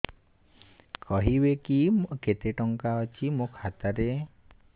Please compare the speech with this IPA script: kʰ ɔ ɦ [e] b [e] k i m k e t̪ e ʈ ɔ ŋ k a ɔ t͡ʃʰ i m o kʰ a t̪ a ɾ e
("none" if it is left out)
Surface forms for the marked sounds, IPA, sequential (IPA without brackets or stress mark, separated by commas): i, e